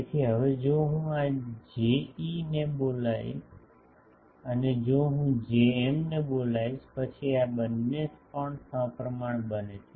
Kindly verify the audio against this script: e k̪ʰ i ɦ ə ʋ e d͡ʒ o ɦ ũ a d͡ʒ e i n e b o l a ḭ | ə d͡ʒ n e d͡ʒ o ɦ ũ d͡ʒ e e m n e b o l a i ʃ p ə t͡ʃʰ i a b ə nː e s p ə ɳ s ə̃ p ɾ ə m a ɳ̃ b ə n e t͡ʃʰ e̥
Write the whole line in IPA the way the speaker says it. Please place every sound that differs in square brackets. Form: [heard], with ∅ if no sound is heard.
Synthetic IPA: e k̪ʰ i ɦ ə ʋ e d͡ʒ o ɦ ũ a d͡ʒ e i n e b o l a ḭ | ə [∅] n e d͡ʒ o ɦ ũ d͡ʒ e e m n e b o l a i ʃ p ə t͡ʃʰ i a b ə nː e s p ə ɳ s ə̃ p ɾ ə m a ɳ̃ b ə n e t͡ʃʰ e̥